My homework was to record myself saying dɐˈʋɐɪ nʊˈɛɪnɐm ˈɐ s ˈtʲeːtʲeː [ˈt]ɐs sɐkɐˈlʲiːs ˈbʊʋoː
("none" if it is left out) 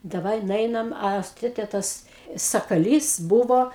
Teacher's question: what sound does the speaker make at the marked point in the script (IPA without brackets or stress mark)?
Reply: t